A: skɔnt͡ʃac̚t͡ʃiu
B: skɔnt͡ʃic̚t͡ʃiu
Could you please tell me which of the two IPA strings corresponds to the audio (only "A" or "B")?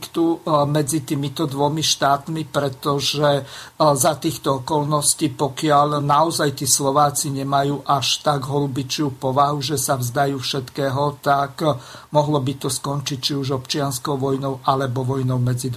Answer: B